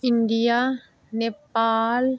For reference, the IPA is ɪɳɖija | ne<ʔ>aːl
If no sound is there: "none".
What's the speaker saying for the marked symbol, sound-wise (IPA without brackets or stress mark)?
p